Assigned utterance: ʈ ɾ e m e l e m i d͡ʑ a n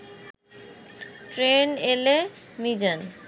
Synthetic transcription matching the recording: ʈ ɾ e n e l e m i d͡ʑ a n